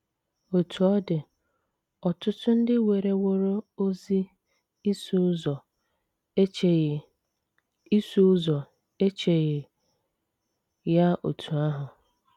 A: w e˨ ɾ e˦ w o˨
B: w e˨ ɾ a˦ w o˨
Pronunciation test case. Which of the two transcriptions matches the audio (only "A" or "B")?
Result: A